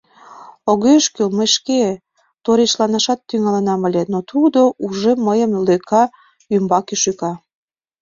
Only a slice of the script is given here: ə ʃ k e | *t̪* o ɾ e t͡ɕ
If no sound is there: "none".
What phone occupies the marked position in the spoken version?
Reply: t̪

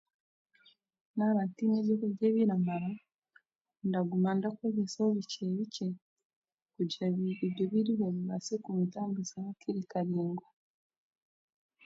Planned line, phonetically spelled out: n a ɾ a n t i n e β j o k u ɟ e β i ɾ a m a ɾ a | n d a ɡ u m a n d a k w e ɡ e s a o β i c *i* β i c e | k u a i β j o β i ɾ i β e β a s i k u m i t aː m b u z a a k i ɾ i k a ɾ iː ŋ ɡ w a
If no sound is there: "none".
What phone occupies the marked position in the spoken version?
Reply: e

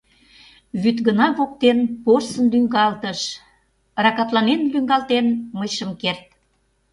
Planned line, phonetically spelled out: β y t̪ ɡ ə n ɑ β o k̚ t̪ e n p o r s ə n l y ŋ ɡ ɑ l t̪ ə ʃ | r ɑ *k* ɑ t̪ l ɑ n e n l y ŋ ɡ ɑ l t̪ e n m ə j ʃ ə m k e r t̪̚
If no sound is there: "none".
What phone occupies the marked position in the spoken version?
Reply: k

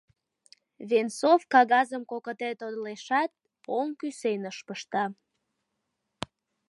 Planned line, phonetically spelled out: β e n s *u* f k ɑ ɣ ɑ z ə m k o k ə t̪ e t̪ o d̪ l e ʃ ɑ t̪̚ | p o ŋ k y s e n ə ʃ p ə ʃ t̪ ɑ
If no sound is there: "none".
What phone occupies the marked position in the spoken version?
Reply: o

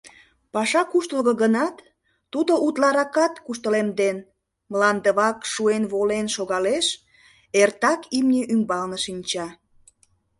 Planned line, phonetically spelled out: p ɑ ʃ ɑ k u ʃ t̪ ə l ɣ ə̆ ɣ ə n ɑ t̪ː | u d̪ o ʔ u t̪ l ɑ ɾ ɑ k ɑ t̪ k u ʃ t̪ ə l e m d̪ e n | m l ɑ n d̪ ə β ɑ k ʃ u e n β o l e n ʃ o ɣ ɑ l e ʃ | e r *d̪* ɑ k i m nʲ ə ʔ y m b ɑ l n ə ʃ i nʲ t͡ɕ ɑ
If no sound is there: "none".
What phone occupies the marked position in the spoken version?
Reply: t̪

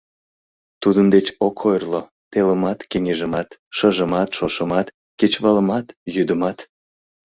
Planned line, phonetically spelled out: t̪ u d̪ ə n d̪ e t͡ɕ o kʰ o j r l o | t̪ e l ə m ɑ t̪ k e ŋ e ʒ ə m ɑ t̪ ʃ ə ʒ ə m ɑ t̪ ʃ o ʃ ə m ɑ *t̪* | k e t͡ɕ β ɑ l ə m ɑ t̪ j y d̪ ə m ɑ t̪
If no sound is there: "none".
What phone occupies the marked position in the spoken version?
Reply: t̪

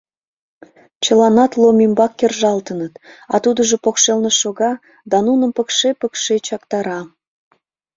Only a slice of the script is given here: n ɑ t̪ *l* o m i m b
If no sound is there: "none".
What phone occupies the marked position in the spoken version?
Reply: l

